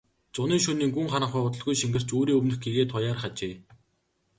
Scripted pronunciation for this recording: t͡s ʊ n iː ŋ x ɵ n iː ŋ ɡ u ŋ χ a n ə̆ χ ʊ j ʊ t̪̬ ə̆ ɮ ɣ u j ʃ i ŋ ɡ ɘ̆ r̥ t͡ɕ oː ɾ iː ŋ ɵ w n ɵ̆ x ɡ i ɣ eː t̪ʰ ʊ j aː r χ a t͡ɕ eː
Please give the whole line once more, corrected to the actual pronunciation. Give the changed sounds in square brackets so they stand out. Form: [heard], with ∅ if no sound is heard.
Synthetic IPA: t͡s ʊ n iː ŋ [ʃ] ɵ n iː ŋ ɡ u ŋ χ a n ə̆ χ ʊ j ʊ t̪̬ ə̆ ɮ ɣ u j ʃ i ŋ ɡ ɘ̆ r̥ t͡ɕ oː ɾ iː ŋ ɵ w n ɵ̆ x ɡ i ɣ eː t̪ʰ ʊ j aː r χ a t͡ɕ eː